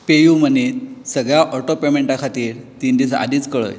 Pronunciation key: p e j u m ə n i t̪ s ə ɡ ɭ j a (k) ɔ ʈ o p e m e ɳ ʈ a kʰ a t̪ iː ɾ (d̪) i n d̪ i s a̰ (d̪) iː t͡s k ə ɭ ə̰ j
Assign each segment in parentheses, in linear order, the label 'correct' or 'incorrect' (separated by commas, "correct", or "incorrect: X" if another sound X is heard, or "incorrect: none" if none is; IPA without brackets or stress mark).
incorrect: ʔ, incorrect: t̪, correct